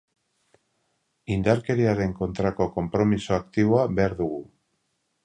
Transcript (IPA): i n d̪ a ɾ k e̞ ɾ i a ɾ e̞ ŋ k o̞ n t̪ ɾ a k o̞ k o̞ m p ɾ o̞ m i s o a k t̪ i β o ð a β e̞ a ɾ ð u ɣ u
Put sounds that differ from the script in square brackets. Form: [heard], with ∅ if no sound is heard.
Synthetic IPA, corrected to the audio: i n d̪ a ɾ k e̞ ɾ i a ɾ e̞ ŋ k o̞ n t̪ ɾ a k o̞ k o̞ m p ɾ o̞ m i s o a k t̪ i β o [∅] a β e̞ a ɾ ð u ɣ u